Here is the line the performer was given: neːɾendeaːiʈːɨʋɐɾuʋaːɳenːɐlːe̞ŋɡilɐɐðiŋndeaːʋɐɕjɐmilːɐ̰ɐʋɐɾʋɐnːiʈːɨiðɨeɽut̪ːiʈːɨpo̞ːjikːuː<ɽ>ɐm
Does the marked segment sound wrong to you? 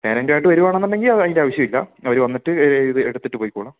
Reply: yes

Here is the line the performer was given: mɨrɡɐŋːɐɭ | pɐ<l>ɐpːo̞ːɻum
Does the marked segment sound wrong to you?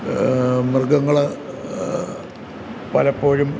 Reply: no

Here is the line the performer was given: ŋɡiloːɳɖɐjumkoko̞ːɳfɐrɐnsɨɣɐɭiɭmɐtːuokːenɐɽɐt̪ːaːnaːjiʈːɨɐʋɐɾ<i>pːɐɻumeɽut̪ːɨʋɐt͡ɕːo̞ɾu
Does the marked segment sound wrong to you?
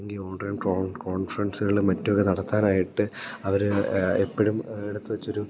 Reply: yes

